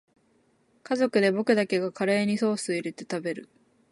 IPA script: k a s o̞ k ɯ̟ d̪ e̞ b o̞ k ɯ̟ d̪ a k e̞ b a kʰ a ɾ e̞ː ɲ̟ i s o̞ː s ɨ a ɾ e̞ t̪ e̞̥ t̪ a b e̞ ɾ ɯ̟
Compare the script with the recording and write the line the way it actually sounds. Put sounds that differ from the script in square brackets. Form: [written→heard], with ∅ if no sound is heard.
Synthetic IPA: k a [s→z] o̞ k ɯ̟ d̪ e̞ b o̞ k ɯ̟ d̪ a k e̞ [b→ɡ] a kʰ a ɾ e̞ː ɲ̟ i s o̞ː s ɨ [a→i] ɾ e̞ t̪ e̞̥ t̪ a b e̞ ɾ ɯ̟